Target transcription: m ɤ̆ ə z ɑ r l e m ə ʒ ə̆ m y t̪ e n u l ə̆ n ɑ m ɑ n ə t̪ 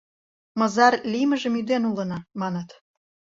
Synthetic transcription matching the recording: m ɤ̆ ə z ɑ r l i m ə ʒ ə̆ m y d̪ e n u l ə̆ n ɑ m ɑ n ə t̪

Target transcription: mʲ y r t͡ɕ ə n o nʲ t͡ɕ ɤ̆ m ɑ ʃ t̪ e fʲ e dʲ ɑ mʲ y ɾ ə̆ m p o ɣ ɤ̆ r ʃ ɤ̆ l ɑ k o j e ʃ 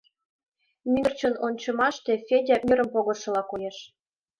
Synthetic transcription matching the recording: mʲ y r t͡ɕ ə n o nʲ t͡ɕ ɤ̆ m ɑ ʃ t̪ e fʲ e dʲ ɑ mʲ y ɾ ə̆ m p o ɣ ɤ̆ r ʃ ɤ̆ l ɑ k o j e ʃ

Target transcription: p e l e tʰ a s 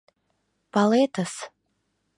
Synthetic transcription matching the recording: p a l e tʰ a s

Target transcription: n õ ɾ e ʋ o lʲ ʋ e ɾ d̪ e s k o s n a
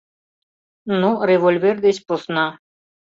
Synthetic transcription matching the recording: n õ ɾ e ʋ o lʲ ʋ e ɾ d̪ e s p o s n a

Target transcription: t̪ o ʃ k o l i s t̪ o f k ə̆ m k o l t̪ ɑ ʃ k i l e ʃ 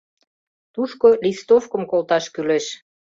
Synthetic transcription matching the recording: t̪ u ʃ k o l i s t̪ o f k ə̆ m k o l t̪ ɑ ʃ k y l e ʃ

